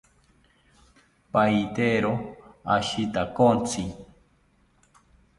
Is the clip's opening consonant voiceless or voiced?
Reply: voiceless